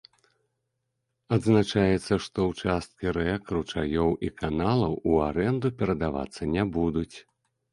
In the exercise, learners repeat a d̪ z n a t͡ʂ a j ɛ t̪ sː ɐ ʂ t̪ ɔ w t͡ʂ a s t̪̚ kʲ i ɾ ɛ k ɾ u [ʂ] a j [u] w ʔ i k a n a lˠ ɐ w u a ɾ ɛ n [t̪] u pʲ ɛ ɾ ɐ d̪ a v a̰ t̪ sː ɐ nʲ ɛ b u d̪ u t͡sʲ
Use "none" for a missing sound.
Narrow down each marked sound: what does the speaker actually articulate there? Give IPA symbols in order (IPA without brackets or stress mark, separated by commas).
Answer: t͡ʂ, ɔ, d̪